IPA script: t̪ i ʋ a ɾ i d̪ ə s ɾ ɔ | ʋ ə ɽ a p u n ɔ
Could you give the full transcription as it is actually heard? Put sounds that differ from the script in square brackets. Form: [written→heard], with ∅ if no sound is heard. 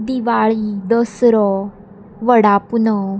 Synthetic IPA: [t̪→d̪] i ʋ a [ɾ→ɭ] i d̪ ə s ɾ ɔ | ʋ ə ɽ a p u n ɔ